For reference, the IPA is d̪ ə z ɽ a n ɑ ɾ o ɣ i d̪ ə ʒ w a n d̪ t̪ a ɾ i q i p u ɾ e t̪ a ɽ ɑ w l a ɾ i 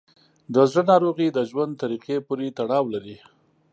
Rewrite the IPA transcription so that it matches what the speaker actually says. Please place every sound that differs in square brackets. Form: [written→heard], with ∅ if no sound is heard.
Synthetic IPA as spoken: d̪ ə z ɽ [a→ə] n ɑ ɾ o ɣ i d̪ ə ʒ w a n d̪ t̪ a ɾ i q [i→e] p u ɾ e t̪ a ɽ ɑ w l a ɾ i